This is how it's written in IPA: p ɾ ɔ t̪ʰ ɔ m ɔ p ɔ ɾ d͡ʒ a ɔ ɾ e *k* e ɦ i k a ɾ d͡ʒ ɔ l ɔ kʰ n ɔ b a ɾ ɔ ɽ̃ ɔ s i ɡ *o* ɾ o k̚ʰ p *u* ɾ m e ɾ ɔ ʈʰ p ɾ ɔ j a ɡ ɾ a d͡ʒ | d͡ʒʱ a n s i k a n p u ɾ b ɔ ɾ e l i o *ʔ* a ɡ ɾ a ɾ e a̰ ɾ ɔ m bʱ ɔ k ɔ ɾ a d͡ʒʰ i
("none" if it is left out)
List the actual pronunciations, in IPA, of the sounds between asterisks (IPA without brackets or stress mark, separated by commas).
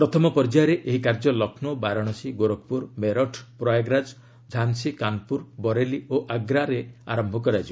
ʔ, o, u, ʔ